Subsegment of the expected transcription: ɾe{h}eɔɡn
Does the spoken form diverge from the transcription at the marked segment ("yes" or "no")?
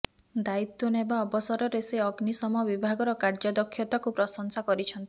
yes